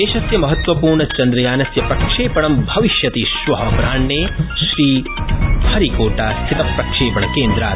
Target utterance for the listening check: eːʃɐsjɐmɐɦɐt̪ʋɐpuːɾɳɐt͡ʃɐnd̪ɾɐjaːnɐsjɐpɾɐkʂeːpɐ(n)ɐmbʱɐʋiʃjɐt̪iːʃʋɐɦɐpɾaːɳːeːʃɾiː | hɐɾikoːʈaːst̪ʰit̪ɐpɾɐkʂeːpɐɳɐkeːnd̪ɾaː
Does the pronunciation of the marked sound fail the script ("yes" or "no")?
yes